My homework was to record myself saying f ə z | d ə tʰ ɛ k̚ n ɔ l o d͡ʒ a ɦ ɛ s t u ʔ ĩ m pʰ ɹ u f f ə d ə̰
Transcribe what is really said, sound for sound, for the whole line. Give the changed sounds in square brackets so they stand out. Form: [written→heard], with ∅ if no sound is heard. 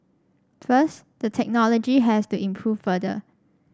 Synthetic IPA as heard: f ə [z→s] | d ə tʰ ɛ k̚ n ɔ l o d͡ʒ [a→i] ɦ ɛ s t u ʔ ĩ m pʰ ɹ u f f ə d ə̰